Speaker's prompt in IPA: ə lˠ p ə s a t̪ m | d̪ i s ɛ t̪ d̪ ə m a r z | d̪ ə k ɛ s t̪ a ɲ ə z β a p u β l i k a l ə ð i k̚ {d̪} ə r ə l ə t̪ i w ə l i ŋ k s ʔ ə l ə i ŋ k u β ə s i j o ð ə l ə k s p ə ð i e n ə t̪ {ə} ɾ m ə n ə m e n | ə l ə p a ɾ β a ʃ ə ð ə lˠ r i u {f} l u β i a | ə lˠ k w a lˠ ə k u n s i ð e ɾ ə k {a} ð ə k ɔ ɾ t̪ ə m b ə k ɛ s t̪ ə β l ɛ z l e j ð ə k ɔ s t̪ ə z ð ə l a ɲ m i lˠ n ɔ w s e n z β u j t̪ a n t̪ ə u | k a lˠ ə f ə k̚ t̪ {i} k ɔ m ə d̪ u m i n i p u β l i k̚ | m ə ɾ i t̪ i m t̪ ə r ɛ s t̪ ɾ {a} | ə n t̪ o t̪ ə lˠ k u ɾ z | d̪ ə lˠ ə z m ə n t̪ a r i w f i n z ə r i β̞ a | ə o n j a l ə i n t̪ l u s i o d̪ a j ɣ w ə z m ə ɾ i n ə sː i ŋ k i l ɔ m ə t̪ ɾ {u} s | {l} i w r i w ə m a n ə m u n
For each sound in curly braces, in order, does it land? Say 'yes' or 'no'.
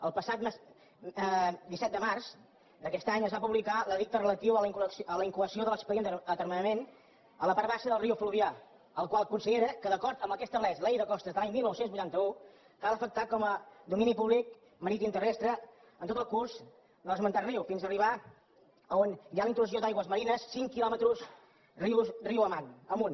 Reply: no, yes, yes, no, no, no, yes, no

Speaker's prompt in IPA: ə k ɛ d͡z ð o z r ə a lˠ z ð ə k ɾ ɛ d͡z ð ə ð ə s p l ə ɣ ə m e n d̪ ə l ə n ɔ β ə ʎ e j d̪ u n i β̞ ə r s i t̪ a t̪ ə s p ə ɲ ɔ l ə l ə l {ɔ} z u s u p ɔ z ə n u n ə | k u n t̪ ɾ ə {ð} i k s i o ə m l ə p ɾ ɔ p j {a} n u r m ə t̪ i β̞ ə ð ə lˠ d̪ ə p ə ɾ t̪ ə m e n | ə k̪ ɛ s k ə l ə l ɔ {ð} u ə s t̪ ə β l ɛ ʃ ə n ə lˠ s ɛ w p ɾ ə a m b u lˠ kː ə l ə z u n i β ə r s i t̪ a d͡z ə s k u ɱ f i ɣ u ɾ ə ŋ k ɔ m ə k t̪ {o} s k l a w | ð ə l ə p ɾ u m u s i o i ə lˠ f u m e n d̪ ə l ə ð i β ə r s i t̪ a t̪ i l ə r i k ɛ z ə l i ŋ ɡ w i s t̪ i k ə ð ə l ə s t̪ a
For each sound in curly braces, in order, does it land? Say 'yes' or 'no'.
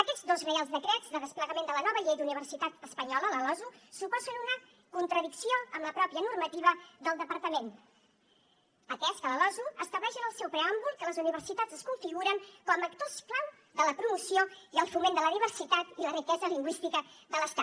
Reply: yes, yes, no, no, yes

